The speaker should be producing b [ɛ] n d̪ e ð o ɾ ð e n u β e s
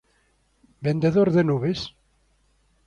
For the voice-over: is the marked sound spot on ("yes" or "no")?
no